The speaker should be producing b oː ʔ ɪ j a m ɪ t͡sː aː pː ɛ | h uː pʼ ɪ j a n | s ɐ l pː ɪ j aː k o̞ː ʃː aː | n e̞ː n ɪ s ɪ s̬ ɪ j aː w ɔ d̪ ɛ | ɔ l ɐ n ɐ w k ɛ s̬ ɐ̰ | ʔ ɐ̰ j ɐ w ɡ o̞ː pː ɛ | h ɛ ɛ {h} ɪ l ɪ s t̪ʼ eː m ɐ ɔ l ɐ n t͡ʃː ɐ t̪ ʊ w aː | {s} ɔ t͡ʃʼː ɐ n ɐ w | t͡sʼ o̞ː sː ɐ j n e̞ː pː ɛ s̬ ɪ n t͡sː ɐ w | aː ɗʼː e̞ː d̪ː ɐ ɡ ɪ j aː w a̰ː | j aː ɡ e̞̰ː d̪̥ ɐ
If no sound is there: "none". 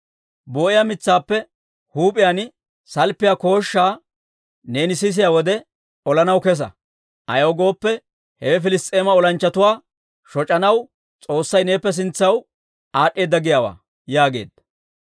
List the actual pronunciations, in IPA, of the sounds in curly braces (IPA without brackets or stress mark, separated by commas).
f, ʃ